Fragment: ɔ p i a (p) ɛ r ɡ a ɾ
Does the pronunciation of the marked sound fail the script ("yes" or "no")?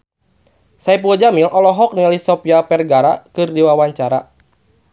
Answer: no